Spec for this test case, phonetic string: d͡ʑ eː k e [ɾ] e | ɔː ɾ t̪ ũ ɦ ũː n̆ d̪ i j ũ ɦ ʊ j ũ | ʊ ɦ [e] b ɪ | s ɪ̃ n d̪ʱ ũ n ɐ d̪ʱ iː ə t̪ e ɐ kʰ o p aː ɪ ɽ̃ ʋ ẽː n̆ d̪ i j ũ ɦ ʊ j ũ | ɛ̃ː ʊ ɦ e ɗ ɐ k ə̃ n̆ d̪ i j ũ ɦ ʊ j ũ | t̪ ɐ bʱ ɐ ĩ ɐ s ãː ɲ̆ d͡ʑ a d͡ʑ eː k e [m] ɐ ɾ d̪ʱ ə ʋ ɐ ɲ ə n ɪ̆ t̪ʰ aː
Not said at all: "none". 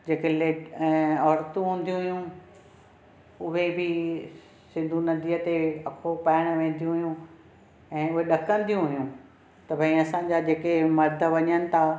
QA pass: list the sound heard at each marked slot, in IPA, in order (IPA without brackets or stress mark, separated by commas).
l, e, m